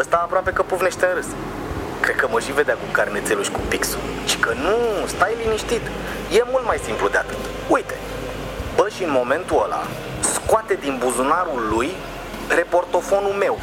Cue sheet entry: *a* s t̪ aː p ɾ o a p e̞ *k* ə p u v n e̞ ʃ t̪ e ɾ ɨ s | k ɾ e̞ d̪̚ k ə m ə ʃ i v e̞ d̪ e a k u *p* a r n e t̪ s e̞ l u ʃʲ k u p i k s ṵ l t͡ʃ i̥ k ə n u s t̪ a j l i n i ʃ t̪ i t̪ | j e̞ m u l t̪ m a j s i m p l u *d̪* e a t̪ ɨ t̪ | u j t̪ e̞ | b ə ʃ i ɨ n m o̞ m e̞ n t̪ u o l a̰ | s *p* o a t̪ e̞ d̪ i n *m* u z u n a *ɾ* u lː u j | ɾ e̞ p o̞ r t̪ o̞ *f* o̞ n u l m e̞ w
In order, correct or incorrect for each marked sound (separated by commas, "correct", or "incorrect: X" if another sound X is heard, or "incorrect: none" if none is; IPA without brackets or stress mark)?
incorrect: ə, correct, incorrect: k, correct, incorrect: k, incorrect: b, correct, correct